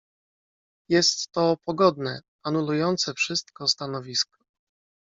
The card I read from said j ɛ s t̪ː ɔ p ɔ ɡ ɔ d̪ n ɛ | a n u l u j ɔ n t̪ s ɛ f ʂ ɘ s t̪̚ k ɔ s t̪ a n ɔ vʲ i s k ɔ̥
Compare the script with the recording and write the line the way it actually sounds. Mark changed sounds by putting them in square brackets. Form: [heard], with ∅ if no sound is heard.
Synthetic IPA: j ɛ s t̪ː ɔ p ɔ ɡ ɔ d̪ n ɛ | a n u l u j ɔ n t̪ s ɛ f ʂ ɘ s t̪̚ k ɔ s t̪ a n ɔ vʲ i s k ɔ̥